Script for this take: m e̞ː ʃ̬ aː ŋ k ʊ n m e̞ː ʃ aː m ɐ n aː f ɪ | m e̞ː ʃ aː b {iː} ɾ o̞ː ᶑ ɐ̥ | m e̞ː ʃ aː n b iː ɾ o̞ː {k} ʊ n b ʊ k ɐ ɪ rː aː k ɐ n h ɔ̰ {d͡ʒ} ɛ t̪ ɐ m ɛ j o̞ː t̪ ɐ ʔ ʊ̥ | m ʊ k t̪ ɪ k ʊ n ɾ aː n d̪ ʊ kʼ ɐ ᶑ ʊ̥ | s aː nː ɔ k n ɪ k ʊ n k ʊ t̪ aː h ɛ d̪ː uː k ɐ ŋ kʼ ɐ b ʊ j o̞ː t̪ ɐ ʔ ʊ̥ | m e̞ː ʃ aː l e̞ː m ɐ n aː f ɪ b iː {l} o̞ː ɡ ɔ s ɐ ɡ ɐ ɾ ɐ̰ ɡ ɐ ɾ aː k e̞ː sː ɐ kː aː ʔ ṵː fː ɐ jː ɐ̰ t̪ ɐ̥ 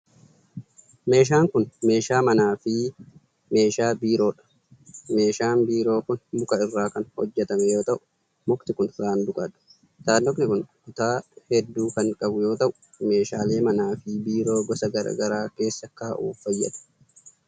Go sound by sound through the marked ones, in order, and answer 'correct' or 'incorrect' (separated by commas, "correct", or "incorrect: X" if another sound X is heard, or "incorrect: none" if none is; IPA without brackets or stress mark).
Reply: correct, correct, incorrect: d͡ʒː, incorrect: ɾ